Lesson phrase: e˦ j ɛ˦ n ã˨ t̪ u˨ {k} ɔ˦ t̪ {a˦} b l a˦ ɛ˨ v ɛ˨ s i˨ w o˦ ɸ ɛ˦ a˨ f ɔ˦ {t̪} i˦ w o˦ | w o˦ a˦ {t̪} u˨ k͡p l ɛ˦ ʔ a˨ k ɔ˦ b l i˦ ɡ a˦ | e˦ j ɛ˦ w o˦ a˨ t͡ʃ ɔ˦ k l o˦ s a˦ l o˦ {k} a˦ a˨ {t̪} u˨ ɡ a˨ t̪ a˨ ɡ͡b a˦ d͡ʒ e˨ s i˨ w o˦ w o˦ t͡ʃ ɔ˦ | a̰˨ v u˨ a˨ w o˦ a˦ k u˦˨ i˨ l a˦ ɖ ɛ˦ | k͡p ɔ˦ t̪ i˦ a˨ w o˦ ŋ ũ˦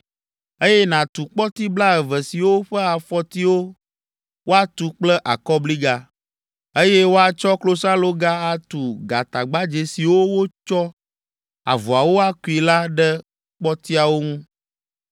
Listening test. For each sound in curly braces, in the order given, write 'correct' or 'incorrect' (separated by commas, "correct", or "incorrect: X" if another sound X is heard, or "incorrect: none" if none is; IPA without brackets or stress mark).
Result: incorrect: k͡p, incorrect: i˦, correct, correct, incorrect: ɡ, correct